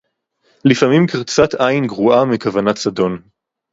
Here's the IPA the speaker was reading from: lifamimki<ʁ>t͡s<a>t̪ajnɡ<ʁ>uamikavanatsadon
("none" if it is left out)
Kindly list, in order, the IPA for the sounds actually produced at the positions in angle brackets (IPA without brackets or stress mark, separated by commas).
ʁ, a, ʁ